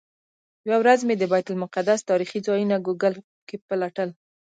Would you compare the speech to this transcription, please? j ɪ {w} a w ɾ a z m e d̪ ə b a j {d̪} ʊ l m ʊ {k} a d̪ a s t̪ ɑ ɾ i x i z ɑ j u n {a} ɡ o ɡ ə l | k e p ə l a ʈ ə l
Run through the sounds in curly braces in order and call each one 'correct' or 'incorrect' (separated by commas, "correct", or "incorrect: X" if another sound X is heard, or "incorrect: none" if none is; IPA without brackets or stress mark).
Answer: correct, incorrect: t̪, incorrect: q, correct